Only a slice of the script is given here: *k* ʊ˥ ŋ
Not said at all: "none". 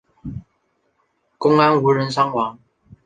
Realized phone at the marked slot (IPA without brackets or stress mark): k